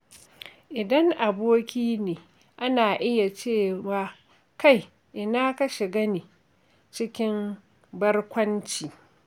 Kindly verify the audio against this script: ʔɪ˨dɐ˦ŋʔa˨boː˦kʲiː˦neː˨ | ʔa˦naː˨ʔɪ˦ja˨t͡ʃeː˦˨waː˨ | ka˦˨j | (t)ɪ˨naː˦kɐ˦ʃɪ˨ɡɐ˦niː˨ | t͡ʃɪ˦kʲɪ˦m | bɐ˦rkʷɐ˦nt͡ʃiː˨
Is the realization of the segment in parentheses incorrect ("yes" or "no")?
yes